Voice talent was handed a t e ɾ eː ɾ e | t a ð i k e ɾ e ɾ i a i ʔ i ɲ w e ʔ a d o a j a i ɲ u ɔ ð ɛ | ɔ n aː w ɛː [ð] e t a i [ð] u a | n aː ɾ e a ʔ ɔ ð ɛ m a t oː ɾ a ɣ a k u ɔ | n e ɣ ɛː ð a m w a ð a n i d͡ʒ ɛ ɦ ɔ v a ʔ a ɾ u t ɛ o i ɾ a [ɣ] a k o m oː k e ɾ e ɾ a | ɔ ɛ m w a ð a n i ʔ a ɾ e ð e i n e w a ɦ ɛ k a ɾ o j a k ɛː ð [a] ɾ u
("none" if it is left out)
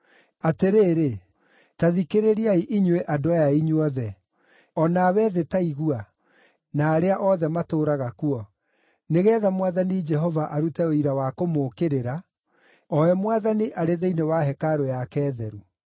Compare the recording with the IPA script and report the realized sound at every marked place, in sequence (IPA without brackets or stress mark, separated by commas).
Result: ð, ɣ, w, ɛ